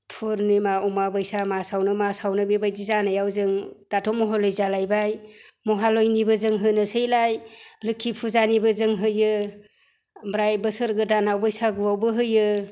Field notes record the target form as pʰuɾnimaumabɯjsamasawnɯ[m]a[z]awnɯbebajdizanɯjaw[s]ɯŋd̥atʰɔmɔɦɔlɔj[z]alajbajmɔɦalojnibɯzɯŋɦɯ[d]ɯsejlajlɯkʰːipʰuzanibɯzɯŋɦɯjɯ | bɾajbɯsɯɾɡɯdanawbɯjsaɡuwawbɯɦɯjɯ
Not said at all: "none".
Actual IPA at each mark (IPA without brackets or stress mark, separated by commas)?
m, s, z, z, n